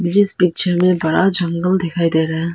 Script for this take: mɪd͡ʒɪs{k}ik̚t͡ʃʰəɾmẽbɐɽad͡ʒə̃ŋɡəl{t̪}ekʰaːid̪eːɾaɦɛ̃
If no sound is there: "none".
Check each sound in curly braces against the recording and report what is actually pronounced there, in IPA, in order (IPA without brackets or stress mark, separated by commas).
p, d̪